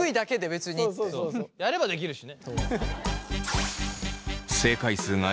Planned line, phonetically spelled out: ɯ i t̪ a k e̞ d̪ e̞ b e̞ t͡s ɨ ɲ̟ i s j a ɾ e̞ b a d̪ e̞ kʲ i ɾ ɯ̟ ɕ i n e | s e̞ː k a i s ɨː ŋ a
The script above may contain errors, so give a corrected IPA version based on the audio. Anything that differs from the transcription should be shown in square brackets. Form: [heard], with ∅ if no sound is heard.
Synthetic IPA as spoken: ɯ i [d̪] a k e̞ d̪ e̞ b e̞ t͡s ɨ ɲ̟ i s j a ɾ e̞ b a d̪ e̞ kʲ i ɾ ɯ̟ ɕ i n e | s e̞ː k a i s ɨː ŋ a